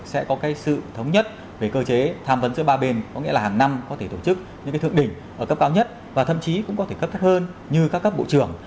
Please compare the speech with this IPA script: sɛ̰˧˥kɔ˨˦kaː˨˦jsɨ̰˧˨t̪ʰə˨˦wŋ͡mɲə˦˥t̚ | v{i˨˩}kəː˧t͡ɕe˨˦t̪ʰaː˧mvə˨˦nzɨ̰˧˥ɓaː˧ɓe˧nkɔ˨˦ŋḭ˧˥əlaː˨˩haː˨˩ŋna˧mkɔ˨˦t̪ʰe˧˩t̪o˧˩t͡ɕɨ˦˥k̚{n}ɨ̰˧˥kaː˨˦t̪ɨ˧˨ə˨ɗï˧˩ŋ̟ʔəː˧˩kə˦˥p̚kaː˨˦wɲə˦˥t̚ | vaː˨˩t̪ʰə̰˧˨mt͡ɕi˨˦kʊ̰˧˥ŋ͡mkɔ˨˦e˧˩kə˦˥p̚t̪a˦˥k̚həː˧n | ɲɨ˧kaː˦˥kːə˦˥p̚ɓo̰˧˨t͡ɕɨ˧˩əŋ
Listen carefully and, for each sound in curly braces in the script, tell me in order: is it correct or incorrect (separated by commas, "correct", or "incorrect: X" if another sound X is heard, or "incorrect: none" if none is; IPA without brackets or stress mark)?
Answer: incorrect: e˨˩, incorrect: ɲ